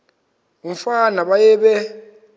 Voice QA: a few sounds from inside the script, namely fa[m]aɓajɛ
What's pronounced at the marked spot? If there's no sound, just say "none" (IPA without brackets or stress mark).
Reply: n